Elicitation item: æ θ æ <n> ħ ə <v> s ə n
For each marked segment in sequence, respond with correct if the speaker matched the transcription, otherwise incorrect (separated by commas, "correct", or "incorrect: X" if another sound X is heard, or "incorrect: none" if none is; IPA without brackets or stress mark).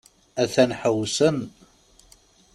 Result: correct, incorrect: w